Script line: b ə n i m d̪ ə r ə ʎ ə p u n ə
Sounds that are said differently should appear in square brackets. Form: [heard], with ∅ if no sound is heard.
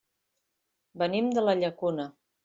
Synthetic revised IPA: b ə n i m d̪ ə [l] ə ʎ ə [k] u n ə